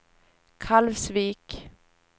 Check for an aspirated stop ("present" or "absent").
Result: present